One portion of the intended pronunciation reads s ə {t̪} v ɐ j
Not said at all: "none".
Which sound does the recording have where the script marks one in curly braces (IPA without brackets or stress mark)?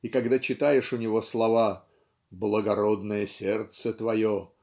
t̪